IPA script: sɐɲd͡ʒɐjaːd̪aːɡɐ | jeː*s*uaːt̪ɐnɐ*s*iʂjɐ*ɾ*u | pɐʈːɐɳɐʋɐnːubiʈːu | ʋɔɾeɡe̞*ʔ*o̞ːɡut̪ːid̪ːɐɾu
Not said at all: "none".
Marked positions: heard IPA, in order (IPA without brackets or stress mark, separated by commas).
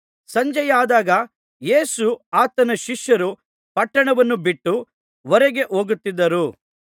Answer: s, ʃ, ɾ, ʔ